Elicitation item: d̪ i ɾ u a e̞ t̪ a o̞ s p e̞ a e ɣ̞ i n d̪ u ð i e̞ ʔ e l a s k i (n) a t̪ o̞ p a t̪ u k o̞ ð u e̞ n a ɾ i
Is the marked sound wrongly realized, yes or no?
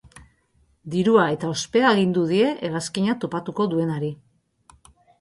yes